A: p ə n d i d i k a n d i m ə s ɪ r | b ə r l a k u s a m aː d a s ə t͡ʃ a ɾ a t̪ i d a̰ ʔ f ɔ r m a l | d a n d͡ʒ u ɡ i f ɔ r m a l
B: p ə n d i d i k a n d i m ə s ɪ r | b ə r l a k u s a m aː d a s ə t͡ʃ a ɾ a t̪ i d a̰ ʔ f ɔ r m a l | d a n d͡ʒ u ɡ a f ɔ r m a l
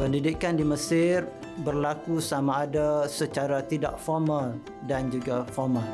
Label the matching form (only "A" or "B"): B